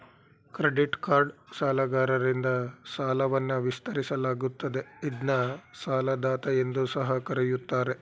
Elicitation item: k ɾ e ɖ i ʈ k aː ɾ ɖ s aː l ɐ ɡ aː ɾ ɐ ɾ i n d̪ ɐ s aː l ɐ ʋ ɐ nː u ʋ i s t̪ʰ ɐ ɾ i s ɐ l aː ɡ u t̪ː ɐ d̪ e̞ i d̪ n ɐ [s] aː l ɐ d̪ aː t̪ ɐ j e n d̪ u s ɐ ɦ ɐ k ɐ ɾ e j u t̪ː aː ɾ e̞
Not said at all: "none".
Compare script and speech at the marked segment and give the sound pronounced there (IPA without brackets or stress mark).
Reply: s